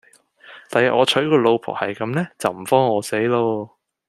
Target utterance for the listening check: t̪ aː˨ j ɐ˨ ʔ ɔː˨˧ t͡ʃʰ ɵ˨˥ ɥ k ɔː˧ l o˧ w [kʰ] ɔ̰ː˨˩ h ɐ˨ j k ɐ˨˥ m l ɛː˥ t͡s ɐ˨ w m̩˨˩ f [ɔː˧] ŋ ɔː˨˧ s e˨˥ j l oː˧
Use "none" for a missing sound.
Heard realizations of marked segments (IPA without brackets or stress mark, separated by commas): pʰ, ɔː˥